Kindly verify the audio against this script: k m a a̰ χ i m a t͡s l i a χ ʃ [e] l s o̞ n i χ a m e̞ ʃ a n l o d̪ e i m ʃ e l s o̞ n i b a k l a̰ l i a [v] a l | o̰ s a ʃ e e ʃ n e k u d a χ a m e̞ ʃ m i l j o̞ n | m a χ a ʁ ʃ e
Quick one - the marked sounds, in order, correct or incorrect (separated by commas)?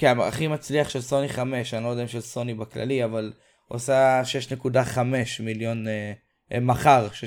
correct, correct